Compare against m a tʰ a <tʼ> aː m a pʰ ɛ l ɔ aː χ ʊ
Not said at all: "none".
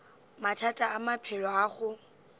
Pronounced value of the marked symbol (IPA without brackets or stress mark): tʼ